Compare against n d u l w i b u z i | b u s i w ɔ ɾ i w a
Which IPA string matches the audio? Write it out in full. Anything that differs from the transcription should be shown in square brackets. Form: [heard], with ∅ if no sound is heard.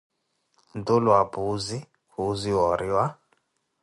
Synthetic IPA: n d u l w [a] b u z i | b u [z] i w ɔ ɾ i w a